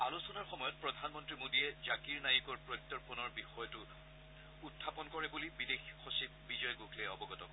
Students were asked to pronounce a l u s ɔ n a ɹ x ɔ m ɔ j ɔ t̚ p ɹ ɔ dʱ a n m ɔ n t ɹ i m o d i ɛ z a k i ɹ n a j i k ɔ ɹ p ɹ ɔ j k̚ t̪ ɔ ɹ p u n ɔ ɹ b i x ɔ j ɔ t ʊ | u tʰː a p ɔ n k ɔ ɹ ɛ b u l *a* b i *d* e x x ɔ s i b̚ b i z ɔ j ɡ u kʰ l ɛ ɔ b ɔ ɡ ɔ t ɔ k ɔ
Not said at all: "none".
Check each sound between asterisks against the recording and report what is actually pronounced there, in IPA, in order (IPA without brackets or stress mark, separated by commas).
i, d